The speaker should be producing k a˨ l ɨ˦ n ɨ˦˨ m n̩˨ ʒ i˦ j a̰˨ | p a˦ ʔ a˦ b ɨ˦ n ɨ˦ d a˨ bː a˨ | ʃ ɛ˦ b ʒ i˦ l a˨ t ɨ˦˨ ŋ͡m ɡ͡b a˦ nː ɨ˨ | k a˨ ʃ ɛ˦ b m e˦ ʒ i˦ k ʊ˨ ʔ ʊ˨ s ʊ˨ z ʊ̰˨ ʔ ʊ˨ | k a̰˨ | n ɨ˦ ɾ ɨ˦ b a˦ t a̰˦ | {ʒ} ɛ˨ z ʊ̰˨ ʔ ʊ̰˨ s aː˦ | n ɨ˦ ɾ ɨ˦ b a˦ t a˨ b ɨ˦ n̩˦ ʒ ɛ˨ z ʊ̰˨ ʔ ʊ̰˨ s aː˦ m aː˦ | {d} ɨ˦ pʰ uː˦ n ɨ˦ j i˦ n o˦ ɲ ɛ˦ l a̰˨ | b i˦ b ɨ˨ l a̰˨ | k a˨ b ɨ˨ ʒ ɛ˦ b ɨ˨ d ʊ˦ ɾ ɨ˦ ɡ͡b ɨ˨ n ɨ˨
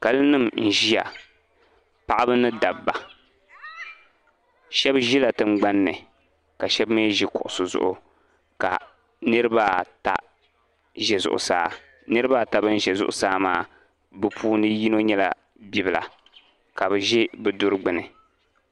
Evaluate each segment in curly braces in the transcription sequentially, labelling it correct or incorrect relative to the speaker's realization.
correct, incorrect: b

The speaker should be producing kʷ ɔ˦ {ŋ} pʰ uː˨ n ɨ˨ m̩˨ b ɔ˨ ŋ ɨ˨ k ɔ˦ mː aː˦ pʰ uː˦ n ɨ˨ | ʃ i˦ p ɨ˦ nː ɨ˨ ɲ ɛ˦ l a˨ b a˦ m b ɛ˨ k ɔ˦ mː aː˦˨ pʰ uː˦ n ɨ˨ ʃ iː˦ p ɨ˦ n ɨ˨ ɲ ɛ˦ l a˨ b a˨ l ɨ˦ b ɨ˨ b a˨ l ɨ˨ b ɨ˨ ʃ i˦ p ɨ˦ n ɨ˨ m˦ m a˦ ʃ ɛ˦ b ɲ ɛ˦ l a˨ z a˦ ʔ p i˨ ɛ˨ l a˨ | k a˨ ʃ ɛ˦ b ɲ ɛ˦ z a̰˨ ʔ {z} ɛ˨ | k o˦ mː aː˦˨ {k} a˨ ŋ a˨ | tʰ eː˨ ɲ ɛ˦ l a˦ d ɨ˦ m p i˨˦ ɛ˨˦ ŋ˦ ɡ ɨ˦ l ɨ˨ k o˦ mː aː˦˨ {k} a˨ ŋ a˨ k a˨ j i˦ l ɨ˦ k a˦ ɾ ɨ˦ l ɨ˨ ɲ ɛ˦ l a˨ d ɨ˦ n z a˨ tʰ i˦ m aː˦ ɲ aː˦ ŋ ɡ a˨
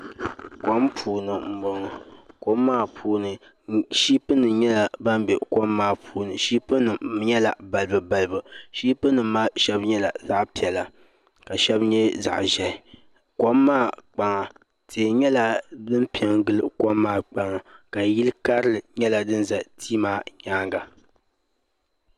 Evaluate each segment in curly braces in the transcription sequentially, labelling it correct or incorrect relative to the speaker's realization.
incorrect: m, incorrect: ʒ, incorrect: k͡p, incorrect: k͡p

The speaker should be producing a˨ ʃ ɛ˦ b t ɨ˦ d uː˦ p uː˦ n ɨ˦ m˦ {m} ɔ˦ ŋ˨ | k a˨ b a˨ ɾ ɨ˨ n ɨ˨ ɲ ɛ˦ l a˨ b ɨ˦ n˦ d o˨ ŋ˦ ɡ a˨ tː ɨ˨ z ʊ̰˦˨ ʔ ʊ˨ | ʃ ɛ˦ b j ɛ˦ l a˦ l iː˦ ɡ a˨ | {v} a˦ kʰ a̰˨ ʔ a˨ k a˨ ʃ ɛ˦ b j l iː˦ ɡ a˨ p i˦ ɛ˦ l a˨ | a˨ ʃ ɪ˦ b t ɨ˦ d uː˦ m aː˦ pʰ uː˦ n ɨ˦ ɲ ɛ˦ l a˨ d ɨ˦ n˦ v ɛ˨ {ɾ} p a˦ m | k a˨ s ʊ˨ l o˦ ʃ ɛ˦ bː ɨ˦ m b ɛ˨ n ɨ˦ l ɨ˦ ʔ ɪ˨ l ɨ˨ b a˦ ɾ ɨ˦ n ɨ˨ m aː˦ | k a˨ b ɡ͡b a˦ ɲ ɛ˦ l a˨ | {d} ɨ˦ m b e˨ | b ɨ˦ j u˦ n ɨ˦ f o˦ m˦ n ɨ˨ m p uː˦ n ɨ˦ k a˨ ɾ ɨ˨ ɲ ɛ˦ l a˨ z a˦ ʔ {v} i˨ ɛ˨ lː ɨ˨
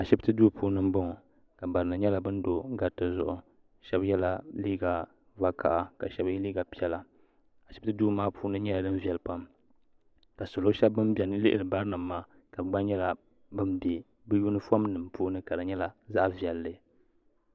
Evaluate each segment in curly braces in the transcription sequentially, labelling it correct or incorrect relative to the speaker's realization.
incorrect: b, correct, incorrect: l, incorrect: b, correct

